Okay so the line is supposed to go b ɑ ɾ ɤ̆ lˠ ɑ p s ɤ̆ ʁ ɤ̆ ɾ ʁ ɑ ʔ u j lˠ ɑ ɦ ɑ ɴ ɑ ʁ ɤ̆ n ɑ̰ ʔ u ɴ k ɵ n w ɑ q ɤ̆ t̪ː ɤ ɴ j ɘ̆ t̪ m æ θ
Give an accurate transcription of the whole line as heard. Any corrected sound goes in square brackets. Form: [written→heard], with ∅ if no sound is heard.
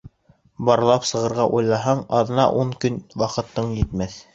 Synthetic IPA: b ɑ ɾ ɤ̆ lˠ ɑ p s ɤ̆ ʁ ɤ̆ ɾ ʁ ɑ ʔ u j lˠ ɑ ɦ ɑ ɴ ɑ [ʁ→ð] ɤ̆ n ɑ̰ ʔ u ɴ k ɵ n w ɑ q ɤ̆ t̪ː ɤ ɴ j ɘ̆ t̪ m æ θ

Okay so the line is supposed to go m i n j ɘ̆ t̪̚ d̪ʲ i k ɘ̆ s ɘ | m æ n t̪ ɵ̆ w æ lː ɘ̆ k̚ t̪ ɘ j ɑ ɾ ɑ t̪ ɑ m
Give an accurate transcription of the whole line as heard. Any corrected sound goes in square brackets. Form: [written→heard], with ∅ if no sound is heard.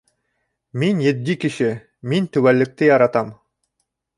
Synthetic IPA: m i n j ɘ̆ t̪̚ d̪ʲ i k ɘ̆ [s→ʃ] ɘ | m [æ→i] n t̪ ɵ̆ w æ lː ɘ̆ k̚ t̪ ɘ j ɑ ɾ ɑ t̪ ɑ m

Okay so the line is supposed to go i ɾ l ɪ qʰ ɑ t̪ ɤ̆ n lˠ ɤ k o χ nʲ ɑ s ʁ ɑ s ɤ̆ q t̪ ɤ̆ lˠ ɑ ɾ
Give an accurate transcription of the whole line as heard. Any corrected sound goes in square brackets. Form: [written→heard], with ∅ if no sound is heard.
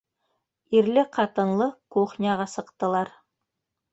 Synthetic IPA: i ɾ l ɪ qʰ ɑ t̪ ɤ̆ n lˠ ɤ k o χ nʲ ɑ [s→∅] ʁ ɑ s ɤ̆ q t̪ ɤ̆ lˠ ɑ ɾ

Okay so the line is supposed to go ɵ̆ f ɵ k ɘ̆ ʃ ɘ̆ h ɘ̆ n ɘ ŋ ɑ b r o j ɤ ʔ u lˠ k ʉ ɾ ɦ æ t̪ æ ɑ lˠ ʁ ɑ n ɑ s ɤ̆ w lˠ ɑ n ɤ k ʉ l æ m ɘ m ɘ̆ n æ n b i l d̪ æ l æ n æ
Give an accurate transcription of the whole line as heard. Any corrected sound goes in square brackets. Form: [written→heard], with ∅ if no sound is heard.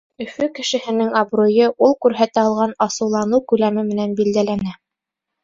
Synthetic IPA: ɵ̆ f ɵ k ɘ̆ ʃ ɘ̆ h ɘ̆ n ɘ ŋ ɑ b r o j ɤ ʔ u lˠ k ʉ ɾ ɦ æ t̪ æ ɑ lˠ ʁ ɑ n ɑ s ɤ̆ w lˠ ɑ n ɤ k ʉ l æ m ɘ m ɘ̆ n æ n b i l d̪ æ l æ n æ

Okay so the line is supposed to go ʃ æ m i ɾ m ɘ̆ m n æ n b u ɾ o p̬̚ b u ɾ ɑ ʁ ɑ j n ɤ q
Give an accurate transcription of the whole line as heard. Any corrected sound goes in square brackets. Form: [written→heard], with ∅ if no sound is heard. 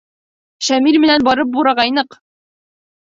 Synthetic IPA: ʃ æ m i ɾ m ɘ̆ [m→∅] n æ n b [u→ɒ] ɾ [o→ɤ] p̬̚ b u ɾ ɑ ʁ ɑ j n ɤ q

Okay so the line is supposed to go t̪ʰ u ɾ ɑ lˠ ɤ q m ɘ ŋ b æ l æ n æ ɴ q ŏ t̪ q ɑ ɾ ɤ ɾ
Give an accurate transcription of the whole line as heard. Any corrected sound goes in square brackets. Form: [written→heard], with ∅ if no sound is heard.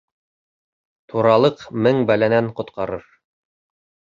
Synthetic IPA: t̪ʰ u ɾ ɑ lˠ ɤ q m ɘ ŋ b æ l æ n æ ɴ q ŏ t̪ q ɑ ɾ ɤ ɾ

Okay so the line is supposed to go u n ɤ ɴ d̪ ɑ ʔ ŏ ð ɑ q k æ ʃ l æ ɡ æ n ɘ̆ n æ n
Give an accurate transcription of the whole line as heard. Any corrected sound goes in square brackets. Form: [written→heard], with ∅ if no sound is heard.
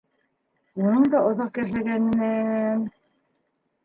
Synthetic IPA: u n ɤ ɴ d̪ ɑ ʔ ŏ ð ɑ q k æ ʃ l æ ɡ æ n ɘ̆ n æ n

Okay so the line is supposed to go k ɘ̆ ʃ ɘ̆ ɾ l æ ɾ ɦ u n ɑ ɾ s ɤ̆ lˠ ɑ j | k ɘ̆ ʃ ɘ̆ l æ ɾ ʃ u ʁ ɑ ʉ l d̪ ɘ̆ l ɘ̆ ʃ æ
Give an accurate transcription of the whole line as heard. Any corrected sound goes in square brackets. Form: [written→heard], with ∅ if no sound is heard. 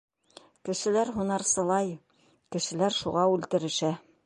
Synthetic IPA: k ɘ̆ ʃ ɘ̆ [ɾ→∅] l æ ɾ ɦ u n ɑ ɾ s ɤ̆ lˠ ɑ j | k ɘ̆ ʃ ɘ̆ l æ ɾ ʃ u ʁ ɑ ʉ l [d̪→t̪] ɘ̆ [l→ɾ] ɘ̆ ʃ æ

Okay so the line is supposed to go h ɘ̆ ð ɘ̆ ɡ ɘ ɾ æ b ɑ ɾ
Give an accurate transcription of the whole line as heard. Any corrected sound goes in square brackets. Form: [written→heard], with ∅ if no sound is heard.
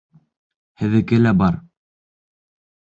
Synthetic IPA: h ɘ̆ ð ɘ̆ [ɡ→k] ɘ [ɾ→l] æ b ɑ ɾ

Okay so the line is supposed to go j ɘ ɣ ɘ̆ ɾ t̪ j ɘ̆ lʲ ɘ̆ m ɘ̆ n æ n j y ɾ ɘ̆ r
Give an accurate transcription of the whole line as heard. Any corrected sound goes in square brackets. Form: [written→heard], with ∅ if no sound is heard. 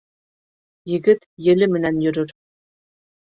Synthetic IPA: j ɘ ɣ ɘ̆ [ɾ→∅] t̪ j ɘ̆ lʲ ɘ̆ m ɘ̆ n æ n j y ɾ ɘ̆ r

